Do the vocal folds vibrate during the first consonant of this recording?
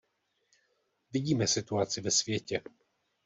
yes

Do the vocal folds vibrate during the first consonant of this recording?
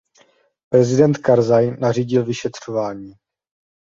no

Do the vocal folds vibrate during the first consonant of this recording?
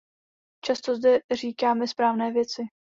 no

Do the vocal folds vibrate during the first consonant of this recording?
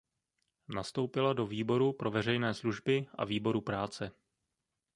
yes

